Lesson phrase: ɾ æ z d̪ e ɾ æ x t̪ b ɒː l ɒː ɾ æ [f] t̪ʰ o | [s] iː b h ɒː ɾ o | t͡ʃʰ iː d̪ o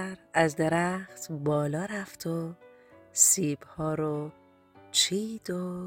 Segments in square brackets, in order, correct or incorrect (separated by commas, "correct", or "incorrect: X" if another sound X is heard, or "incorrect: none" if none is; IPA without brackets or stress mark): correct, correct